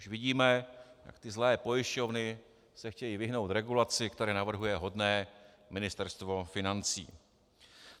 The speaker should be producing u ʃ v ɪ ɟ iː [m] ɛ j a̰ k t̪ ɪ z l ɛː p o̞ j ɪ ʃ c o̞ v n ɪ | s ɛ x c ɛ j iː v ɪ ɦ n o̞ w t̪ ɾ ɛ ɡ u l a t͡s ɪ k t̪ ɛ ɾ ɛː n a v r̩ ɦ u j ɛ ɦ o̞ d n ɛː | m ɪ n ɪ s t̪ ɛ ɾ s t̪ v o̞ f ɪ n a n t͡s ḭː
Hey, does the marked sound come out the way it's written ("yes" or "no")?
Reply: yes